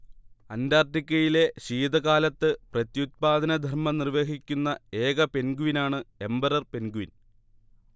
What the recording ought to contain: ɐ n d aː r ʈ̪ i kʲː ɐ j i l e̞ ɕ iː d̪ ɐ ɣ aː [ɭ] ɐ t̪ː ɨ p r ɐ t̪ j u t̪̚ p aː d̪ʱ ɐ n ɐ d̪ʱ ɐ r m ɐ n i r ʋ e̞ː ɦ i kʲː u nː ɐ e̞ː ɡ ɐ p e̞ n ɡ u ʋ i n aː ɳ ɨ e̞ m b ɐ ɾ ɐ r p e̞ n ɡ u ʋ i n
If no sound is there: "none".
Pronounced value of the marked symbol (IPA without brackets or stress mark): l